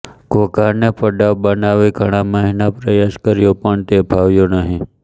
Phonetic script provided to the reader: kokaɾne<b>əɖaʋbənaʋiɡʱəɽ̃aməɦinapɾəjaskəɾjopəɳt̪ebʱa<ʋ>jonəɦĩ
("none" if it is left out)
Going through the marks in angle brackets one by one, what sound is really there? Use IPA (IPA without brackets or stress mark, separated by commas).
p, ʋ